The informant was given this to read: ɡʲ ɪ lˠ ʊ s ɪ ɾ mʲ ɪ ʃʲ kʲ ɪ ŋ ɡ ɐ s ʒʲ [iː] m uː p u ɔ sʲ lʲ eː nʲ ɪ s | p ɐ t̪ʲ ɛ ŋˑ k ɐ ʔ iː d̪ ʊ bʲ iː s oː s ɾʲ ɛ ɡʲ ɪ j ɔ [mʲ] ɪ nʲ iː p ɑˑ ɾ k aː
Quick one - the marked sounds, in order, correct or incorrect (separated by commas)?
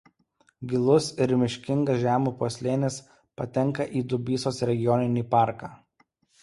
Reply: incorrect, incorrect